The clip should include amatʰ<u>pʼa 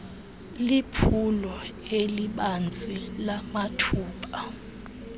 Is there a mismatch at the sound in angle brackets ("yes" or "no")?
yes